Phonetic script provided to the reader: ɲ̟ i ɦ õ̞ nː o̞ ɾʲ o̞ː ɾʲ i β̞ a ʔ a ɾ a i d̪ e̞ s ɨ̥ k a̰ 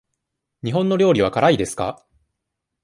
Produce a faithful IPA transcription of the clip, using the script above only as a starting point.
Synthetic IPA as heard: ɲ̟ i ɦ õ̞ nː o̞ ɾʲ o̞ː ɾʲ i β̞ a k a ɾ a i d̪ e̞ s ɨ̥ k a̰